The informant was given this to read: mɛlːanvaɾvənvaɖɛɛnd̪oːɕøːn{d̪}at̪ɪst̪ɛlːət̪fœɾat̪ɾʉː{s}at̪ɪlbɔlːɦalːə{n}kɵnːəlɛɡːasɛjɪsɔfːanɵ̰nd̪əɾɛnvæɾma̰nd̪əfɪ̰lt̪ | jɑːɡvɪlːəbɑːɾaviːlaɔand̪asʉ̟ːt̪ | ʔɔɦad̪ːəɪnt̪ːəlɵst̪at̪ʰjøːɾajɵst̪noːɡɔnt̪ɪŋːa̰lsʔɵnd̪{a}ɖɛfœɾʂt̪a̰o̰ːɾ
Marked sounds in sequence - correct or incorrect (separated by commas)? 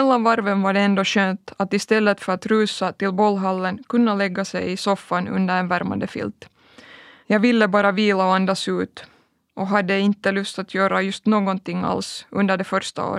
incorrect, correct, correct, incorrect